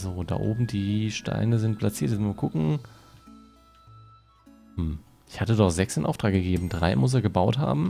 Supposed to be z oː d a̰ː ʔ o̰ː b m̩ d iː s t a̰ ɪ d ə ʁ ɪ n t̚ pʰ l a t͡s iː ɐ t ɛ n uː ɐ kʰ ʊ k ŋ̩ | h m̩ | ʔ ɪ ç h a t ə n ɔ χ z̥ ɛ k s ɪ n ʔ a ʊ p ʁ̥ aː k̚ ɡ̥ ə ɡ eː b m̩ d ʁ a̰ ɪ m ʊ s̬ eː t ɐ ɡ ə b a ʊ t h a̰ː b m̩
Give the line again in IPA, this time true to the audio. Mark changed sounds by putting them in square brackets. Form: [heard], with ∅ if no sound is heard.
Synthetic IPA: z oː d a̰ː ʔ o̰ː b m̩ d iː [ʃ] t a̰ ɪ [n] ə [z] ɪ n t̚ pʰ l a t͡s iː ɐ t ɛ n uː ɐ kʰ ʊ k ŋ̩ | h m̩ | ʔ ɪ ç h a t ə [d] ɔ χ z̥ ɛ k s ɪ n ʔ a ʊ [t] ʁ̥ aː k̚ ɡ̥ ə ɡ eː b m̩ d ʁ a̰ ɪ m ʊ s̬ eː [∅] ɐ ɡ ə b a ʊ t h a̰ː b m̩